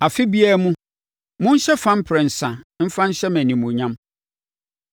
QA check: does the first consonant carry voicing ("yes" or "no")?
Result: no